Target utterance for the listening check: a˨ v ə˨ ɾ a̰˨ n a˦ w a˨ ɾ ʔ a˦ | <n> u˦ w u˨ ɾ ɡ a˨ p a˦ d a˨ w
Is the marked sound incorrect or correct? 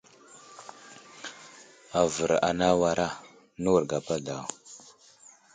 correct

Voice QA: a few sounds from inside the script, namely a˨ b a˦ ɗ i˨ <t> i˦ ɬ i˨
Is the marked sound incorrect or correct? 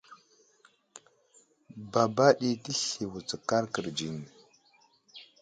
correct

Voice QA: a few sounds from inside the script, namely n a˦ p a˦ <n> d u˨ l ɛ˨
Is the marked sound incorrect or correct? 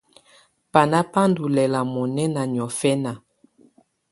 correct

